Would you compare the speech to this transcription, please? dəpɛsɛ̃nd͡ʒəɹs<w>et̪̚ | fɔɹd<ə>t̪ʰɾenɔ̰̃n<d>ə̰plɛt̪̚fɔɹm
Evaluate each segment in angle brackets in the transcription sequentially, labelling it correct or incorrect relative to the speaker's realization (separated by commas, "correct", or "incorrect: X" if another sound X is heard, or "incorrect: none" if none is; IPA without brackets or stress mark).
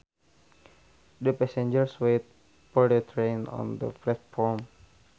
correct, correct, correct